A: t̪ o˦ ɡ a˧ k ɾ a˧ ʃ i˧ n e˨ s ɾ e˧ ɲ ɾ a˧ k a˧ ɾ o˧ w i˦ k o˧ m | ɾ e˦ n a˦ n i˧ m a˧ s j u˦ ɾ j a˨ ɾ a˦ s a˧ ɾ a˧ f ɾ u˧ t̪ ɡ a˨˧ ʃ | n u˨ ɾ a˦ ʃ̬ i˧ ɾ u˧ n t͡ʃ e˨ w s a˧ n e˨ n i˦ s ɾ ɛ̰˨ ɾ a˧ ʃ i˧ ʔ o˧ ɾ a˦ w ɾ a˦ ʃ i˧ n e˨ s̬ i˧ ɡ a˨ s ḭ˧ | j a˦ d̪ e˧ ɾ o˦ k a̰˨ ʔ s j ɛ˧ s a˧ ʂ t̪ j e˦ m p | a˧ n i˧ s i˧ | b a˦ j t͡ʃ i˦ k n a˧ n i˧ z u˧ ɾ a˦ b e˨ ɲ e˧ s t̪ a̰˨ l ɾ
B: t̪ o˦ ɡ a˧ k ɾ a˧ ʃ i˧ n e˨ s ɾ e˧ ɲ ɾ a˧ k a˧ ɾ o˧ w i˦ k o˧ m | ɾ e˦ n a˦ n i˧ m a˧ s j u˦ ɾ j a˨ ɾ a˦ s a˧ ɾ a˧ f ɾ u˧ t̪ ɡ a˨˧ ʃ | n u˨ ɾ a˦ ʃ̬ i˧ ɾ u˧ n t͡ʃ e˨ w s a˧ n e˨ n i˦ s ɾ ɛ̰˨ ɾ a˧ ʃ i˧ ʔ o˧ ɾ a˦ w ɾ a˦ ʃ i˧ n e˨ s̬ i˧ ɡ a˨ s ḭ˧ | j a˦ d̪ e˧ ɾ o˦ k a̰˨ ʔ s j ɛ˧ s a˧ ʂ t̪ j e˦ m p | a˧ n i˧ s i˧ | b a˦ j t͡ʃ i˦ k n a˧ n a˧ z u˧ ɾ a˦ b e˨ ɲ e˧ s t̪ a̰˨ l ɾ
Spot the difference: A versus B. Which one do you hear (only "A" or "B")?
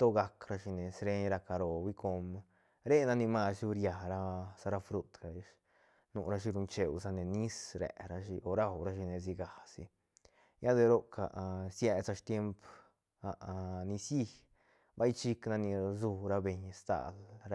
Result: A